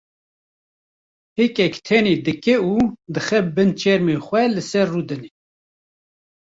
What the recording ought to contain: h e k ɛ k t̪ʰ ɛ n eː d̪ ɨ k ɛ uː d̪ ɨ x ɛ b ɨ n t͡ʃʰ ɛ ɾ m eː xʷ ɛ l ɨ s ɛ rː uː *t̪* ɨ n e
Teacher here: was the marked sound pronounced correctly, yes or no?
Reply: no